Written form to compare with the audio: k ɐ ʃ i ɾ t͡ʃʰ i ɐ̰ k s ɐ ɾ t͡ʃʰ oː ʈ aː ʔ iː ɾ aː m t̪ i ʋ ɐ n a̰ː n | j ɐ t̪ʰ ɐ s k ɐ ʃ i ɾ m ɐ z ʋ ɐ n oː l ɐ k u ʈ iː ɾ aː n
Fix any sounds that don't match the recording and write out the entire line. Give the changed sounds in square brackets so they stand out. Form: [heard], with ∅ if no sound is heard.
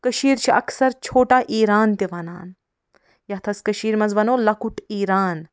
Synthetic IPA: k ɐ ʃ [iː] ɾ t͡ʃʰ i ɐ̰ k s ɐ ɾ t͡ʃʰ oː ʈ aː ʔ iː ɾ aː [n] t̪ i ʋ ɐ n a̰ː n | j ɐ t̪ʰ ɐ s k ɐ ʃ [iː] ɾ m ɐ z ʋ ɐ n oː l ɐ k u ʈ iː ɾ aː n